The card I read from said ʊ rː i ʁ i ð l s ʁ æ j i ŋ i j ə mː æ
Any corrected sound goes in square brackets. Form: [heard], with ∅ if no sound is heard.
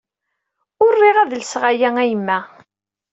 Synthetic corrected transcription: ʊ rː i ʁ [æ] ð l s ʁ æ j [æ] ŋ [æ] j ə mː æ